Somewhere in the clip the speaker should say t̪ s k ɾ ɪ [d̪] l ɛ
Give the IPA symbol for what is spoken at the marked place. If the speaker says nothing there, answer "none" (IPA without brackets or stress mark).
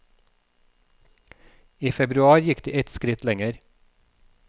t̪